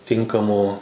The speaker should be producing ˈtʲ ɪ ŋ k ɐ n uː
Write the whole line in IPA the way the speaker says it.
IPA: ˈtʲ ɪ ŋ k ɐ m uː